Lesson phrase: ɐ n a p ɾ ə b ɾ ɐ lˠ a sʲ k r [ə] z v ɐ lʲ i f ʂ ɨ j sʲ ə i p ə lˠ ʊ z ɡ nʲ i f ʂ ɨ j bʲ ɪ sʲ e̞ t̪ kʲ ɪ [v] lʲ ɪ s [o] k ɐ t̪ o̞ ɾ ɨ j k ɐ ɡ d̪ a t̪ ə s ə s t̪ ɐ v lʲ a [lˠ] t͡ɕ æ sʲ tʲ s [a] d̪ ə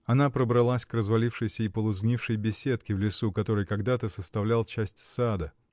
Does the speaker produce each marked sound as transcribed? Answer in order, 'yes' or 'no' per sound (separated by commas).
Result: yes, yes, no, yes, yes